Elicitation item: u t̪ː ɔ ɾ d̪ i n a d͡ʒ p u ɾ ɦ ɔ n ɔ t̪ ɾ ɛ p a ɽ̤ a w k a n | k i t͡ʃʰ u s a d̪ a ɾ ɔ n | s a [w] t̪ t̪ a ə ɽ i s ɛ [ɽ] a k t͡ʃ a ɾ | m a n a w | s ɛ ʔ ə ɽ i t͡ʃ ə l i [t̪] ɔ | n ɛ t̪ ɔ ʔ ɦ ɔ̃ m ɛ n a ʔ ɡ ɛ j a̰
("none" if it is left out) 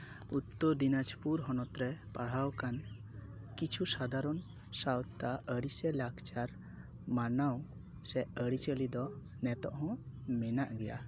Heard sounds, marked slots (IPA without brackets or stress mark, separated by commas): w, l, d̪